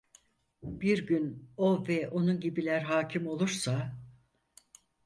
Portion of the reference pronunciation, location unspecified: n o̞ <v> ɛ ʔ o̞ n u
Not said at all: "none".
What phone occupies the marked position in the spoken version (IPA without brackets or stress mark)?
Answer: v